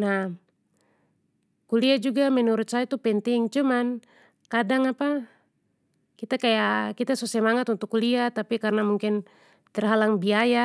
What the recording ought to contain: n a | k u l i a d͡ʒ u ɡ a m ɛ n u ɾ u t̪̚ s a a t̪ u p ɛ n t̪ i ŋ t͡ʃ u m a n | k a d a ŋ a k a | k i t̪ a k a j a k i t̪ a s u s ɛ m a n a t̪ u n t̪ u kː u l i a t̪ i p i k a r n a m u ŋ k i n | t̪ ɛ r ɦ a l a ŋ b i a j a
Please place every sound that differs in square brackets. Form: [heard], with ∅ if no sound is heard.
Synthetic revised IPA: n a | k u l i a d͡ʒ u ɡ a m ɛ n u ɾ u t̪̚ s a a t̪ u p ɛ n t̪ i ŋ t͡ʃ u m a n | k a d a ŋ a [p] a | k i t̪ a k a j a k i t̪ a s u s ɛ m a [ŋ] a t̪ u n t̪ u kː u l i a t̪ [a] p i k a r n a m u ŋ k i n | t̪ ɛ r ɦ a l a ŋ b i a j a

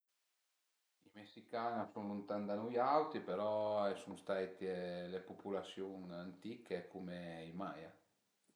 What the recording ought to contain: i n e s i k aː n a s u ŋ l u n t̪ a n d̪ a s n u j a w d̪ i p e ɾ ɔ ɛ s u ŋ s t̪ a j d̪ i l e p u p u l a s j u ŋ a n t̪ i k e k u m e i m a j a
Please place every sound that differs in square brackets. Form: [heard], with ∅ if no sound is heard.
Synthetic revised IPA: i [m] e s i k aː n a s u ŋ l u n t̪ a n d̪ a [∅] n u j a w [t̪] i p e ɾ ɔ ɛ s u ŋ s t̪ a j [t̪] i l e p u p u l a s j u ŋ a n t̪ i k e k u m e i m a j a

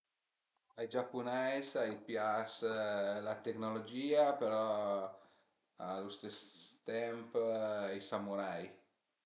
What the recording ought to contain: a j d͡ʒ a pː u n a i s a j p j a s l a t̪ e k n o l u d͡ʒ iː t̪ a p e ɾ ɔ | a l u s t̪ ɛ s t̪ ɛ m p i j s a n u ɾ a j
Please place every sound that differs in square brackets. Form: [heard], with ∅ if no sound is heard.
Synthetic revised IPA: a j d͡ʒ a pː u n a [j] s a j p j a s l a t̪ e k n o l [o] d͡ʒ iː [∅] a p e ɾ ɔ | a l u s t̪ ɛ s t̪ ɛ m p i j s a [m] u ɾ a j

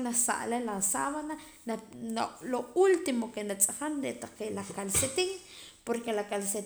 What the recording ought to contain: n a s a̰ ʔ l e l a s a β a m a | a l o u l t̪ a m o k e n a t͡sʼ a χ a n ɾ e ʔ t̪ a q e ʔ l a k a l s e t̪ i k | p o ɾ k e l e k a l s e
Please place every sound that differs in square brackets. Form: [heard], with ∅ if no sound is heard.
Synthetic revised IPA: n a s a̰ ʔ l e l a s a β a [n] a | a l o u l t̪ [i] m o k e n a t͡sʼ a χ a n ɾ e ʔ t̪ a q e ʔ l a k a l s e t̪ i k | p o ɾ k e l [a] k a l s e

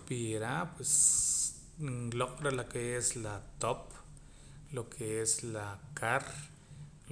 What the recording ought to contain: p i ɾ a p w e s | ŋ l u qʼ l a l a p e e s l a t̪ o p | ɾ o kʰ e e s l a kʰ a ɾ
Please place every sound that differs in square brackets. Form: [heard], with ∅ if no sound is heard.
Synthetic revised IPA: p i ɾ a p w e s | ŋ l [o] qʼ [ɾ] a l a [k] e e s l a t̪ o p | [l] o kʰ e e s l a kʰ a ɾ

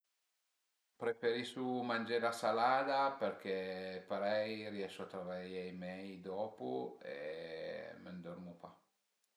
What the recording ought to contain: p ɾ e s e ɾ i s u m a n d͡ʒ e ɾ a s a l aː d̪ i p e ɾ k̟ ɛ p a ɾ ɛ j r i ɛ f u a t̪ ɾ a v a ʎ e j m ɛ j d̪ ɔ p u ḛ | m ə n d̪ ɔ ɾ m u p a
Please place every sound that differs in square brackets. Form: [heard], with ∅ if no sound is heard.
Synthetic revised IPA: p ɾ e [f] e ɾ i s u m a n d͡ʒ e ɾ a s a l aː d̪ [a] p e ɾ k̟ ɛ p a ɾ ɛ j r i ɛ [ʃ] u a t̪ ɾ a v a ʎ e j m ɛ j d̪ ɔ p u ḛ | m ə n d̪ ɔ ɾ m u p a

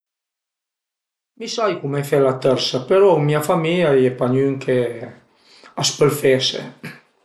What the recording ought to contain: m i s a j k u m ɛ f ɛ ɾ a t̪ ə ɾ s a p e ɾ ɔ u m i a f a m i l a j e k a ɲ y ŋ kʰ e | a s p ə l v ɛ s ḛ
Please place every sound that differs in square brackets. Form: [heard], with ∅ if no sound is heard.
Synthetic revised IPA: m i s a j k u m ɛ f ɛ [l] a t̪ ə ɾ s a p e ɾ ɔ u m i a f a m i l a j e [p] a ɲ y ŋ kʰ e | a s p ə l [f] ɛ s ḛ

